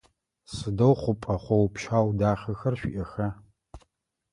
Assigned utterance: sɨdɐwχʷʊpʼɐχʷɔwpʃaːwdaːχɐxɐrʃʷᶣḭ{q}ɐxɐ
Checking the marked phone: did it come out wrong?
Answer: yes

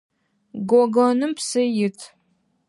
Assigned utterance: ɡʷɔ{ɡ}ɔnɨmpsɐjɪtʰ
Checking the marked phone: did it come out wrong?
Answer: no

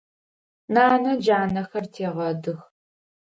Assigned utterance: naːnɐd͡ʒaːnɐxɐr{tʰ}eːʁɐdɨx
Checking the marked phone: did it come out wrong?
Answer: no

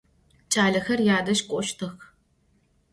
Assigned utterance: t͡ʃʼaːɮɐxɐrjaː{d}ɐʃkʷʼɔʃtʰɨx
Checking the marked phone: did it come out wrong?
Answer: no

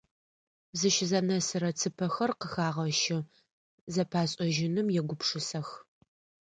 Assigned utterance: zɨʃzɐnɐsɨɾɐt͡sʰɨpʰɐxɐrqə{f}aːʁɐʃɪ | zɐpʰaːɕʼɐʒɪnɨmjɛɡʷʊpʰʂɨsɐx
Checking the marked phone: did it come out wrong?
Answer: yes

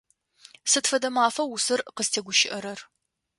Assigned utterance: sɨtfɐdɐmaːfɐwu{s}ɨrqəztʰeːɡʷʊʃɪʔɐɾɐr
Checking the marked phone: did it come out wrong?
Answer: no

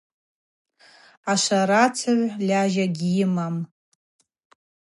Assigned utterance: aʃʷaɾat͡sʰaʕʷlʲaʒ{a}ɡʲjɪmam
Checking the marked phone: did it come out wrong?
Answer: no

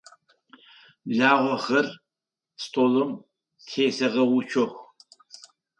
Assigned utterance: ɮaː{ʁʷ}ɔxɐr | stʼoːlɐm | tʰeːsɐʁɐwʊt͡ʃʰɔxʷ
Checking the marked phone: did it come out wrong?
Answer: no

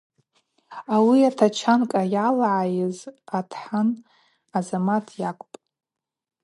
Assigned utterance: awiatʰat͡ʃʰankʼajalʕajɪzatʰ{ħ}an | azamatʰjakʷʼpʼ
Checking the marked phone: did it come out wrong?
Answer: no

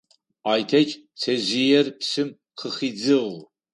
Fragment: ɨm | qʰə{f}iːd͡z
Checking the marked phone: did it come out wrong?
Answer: yes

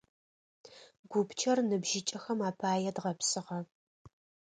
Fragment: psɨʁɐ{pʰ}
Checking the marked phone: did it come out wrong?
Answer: yes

